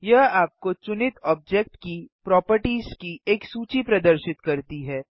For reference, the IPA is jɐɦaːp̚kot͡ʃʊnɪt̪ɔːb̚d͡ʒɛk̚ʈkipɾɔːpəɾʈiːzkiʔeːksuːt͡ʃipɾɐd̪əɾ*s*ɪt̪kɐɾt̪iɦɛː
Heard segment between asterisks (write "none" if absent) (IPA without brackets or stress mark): ʃ